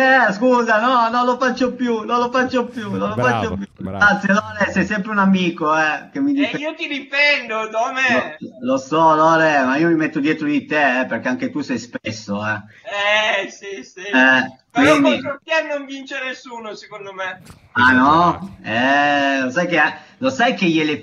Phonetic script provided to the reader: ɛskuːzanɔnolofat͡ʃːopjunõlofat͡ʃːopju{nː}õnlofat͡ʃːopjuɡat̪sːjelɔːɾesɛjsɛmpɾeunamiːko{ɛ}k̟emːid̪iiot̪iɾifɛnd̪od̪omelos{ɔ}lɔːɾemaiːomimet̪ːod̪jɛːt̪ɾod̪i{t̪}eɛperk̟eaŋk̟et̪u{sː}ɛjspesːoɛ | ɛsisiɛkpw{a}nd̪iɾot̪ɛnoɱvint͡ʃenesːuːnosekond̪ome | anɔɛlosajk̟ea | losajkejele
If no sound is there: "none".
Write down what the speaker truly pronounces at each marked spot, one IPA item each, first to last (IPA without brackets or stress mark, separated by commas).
n, ɛ, ɔ, t̪, s, i